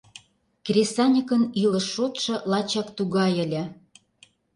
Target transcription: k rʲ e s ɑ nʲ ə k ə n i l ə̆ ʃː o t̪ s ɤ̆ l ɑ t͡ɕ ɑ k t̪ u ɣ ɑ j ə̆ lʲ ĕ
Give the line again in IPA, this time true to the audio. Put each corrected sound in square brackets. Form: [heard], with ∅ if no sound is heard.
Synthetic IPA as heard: k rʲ e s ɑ nʲ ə k ə n i l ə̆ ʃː o t̪ [ʃ] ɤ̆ l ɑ t͡ɕ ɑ k t̪ u ɣ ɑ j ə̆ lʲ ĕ

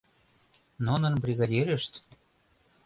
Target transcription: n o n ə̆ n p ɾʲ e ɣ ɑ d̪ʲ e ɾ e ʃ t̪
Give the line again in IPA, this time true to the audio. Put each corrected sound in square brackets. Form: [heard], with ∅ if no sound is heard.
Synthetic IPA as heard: n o n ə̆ n [b] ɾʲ [i] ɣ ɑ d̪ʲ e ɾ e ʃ t̪

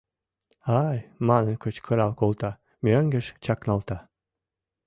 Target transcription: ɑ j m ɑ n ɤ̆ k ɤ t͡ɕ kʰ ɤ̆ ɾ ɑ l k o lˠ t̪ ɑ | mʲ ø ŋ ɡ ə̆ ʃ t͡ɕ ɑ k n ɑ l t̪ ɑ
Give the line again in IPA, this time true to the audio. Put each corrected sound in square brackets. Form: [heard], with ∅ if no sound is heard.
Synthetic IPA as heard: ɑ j m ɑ n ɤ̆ k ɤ t͡ɕ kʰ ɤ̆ ɾ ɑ l k o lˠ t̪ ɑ | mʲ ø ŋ ɡ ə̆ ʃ t͡ɕ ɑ k n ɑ l t̪ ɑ

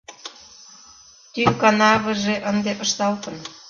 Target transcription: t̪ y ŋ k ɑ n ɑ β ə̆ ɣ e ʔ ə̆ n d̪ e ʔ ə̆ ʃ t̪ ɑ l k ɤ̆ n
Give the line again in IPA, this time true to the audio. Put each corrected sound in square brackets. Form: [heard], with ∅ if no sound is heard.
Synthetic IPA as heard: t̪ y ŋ k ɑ n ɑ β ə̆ [ʒ] e ʔ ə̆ n d̪ e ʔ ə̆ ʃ t̪ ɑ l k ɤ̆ n

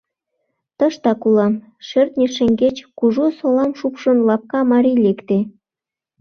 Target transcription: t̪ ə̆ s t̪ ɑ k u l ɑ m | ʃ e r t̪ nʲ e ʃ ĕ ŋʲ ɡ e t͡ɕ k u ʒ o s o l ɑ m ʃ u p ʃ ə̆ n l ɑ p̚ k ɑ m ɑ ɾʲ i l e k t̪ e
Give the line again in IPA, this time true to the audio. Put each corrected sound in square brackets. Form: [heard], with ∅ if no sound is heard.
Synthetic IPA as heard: t̪ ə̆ [ʃ] t̪ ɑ k u l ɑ m | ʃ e r t̪ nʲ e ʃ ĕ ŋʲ ɡ e t͡ɕ k u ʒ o s o l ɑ m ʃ u p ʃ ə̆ n l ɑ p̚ k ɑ m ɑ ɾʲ i l e k t̪ e

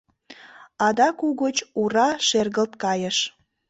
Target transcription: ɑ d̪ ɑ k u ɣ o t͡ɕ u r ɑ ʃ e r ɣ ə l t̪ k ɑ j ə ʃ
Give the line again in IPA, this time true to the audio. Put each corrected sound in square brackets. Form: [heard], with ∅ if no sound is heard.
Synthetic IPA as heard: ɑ d̪ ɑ k u ɣ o t͡ɕ u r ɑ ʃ e r ɣ ə l t̪ k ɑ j ə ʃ

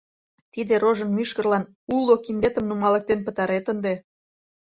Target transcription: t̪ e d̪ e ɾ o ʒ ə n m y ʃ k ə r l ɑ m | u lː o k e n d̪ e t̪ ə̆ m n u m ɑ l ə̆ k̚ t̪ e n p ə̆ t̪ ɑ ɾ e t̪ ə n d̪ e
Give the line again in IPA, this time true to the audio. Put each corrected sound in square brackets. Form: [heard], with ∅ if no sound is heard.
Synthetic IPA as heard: t̪ [i] d̪ e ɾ o ʒ ə n m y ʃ k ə r l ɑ [n] | u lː o k [i] n d̪ e t̪ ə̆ m n u m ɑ l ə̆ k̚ t̪ e n p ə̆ t̪ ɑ ɾ e t̪ ə n d̪ e

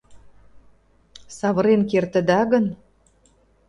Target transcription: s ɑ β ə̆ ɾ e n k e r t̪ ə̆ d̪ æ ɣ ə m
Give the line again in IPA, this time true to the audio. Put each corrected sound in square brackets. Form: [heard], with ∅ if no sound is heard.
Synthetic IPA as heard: s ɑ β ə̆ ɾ e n k e r t̪ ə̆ d̪ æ ɣ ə [n]

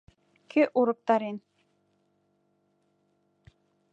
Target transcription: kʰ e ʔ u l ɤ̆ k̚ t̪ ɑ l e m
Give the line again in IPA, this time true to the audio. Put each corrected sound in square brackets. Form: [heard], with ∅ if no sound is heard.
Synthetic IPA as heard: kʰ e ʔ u [ɾ] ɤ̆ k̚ t̪ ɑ [ɾ] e [n]

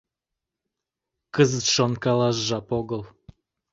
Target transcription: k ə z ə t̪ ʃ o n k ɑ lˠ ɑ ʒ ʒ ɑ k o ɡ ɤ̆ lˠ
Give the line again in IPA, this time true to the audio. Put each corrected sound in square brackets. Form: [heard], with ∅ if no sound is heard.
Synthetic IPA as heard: k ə z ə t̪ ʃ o n k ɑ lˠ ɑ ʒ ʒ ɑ [p] o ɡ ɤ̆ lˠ

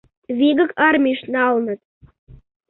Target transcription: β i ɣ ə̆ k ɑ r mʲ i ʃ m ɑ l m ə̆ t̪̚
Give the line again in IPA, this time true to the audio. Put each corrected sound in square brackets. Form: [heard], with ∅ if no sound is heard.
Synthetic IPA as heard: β i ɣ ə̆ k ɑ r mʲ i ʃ [n] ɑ l [n] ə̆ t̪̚

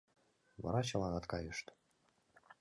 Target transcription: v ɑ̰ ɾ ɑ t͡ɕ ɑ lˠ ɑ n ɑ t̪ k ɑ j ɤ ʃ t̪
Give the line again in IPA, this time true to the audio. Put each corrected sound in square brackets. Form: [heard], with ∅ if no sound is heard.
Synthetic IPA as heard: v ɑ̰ ɾ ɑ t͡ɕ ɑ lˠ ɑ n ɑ t̪ k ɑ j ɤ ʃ t̪

